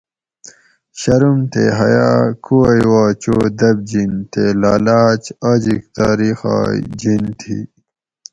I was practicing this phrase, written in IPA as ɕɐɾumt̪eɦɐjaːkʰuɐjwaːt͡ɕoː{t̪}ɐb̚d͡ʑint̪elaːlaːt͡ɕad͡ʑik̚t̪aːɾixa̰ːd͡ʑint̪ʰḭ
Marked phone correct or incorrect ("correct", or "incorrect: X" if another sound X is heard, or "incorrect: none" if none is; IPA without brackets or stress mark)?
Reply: incorrect: d̪